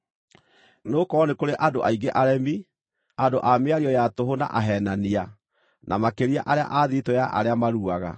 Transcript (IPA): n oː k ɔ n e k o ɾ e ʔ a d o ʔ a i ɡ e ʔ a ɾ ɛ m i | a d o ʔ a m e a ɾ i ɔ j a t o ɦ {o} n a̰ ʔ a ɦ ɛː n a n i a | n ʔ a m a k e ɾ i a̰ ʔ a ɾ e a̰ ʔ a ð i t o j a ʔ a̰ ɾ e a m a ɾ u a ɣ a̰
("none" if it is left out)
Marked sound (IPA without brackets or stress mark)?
o